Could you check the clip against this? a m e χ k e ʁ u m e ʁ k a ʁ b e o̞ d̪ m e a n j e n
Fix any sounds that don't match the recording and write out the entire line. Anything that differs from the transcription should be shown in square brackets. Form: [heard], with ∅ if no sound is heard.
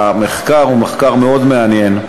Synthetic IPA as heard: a m e χ k [a] ʁ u m e [χ] k a ʁ [m] e o̞ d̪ m e a n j e n

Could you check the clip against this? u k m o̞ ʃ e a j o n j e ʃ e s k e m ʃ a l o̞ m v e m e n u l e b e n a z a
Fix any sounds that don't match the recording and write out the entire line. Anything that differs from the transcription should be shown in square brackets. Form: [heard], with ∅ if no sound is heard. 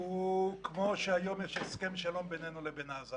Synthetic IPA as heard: u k m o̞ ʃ e a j o [m] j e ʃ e s k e m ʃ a l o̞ m [b] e [n] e n u l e b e n a z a

